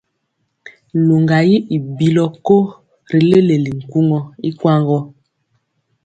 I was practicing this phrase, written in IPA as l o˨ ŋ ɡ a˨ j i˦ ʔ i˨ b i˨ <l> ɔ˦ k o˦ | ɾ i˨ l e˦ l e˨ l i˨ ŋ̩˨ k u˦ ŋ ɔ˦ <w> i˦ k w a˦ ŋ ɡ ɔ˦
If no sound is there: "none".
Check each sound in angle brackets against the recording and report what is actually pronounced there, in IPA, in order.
l, none

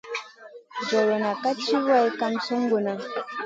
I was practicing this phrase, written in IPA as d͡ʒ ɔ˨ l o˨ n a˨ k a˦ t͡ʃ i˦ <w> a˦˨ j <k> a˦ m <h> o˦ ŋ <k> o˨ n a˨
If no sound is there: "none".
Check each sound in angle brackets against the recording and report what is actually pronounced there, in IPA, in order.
w, k, s, ɡ

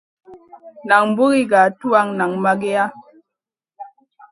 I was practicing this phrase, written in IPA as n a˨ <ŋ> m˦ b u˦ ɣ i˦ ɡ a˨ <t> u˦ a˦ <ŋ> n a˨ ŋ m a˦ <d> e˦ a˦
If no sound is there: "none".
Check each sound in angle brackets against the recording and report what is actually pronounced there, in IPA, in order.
ŋ, t, ŋ, ɡ

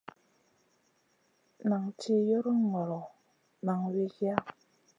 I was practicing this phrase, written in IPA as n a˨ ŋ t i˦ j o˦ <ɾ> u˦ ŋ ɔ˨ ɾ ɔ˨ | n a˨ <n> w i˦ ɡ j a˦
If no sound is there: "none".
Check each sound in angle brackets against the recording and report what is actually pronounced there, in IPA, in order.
ɾ, ŋ

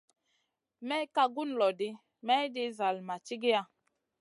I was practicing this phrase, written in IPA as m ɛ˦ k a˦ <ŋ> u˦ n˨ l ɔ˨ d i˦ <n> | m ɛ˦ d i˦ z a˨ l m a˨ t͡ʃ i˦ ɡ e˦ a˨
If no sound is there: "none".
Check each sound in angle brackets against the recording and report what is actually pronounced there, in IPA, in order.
ɡ, none

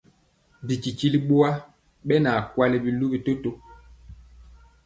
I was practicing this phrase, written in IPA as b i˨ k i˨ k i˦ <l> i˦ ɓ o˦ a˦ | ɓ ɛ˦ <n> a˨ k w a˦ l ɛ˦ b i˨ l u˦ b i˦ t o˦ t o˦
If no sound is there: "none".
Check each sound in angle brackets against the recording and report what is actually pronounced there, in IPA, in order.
l, n

